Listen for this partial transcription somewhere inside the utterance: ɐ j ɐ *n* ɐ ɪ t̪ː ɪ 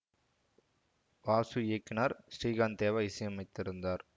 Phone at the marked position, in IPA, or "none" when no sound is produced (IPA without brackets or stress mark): m